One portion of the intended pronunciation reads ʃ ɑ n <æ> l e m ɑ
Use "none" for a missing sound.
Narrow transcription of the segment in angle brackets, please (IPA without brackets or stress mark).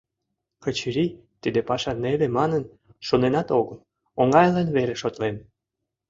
e